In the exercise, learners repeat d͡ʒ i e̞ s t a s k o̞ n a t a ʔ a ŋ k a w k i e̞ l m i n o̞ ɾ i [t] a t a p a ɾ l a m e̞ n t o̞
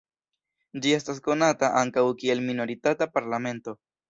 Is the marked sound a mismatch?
no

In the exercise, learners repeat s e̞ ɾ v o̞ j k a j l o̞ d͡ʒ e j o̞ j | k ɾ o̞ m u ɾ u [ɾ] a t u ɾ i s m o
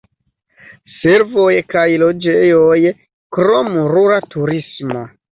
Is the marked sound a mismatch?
no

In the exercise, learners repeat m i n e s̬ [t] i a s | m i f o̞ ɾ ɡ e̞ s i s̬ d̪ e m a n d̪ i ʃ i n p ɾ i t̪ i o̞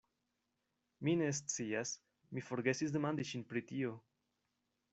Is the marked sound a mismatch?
yes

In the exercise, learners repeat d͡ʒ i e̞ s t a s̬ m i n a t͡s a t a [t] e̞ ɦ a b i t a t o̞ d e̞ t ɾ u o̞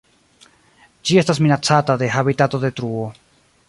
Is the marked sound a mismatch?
yes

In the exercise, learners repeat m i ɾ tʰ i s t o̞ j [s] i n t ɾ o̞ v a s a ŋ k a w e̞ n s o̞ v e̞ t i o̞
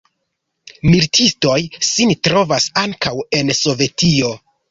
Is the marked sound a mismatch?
no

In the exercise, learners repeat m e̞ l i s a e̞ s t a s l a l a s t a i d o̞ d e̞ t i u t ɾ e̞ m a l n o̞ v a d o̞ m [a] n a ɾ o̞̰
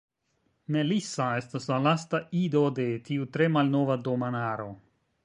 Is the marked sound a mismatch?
no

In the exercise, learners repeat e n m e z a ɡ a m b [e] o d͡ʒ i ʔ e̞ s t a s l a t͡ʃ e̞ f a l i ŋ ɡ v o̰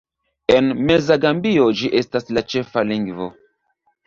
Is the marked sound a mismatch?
yes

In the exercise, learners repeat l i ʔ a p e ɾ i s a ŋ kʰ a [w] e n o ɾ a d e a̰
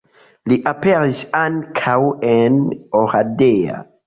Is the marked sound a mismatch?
no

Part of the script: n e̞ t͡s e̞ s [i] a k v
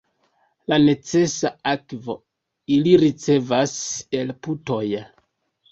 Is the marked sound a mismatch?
yes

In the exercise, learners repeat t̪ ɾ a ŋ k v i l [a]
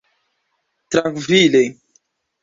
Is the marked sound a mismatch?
yes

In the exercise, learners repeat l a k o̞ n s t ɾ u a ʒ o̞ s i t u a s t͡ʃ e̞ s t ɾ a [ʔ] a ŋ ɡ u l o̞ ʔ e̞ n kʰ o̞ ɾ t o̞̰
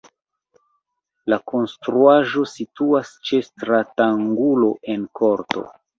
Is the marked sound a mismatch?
yes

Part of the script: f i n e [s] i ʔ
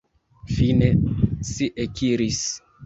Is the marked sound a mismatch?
no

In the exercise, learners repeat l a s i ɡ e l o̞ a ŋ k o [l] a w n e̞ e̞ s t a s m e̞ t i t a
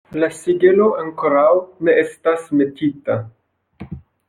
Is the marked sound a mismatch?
yes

